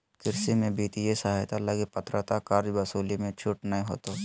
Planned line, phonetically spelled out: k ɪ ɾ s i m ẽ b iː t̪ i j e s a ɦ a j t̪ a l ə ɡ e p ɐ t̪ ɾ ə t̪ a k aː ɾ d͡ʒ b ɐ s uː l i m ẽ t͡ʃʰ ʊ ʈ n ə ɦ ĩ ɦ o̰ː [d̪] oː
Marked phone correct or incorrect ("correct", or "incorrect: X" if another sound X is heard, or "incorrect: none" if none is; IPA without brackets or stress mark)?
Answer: incorrect: t̪